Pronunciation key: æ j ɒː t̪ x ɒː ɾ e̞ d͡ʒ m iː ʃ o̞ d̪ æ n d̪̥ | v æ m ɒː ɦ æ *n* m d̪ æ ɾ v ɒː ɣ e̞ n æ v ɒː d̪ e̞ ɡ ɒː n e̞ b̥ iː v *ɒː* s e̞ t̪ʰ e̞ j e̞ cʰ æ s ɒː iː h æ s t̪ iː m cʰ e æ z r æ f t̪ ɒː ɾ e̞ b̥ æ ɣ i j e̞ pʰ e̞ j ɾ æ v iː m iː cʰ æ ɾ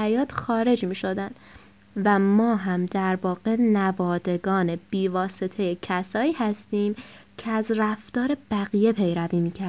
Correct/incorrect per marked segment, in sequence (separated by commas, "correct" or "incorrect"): incorrect, correct